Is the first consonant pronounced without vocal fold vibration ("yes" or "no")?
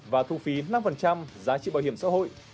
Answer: no